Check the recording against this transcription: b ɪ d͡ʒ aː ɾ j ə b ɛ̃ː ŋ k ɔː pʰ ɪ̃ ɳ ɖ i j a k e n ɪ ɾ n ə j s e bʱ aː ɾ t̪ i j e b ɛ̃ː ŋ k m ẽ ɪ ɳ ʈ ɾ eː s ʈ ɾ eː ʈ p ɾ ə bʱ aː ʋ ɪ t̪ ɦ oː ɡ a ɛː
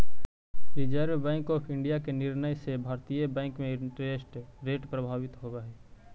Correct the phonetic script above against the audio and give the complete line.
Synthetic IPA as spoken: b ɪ d͡ʒ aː ɾ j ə b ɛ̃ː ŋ k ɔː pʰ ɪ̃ ɳ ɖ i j a k e n ɪ ɾ n ə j s e bʱ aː ɾ t̪ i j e b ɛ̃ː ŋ k m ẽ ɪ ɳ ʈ ɾ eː s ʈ ɾ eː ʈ p ɾ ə bʱ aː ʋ ɪ t̪ ɦ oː ɡ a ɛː